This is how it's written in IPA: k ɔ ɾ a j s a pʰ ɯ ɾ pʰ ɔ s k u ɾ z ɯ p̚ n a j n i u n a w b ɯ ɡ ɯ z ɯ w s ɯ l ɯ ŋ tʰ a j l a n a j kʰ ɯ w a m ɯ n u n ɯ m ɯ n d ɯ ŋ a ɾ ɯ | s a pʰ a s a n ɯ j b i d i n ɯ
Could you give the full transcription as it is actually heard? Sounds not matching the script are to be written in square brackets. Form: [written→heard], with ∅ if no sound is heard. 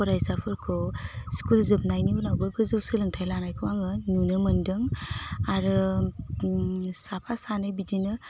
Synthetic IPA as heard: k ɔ ɾ a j s a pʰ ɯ ɾ [pʰ→kʰ] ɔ s k u [ɾ→l] z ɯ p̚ n a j n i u n a w b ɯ ɡ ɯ z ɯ w s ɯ l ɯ ŋ tʰ a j l a n a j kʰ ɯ w a [m→ŋ] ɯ n u n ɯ m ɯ n d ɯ ŋ a ɾ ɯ | s a pʰ a s a n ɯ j b i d i n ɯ